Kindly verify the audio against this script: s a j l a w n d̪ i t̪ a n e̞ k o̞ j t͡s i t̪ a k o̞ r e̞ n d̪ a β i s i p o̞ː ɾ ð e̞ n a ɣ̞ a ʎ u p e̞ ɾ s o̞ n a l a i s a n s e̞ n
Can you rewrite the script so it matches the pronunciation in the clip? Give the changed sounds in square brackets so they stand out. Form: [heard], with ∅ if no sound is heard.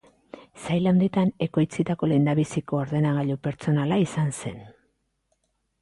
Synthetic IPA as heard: s a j l a w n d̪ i t̪ a n e̞ k o̞ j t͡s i t̪ a k o̞ [l] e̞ n d̪ a β i s i [k] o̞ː ɾ ð e̞ n a ɣ̞ a ʎ u p e̞ ɾ [t͡s] o̞ n a l a i s a n s e̞ n